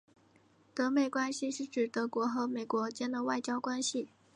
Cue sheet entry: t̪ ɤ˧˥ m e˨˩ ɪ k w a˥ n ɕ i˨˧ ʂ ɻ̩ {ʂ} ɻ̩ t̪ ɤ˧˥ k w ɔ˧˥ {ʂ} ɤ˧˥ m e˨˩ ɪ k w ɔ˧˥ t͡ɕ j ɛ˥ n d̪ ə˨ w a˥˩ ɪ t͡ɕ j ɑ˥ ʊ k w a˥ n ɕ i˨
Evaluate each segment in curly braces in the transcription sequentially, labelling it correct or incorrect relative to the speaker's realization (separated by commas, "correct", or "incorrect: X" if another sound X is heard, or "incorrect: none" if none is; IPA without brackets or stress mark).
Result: incorrect: ʈ͡ʂ, incorrect: x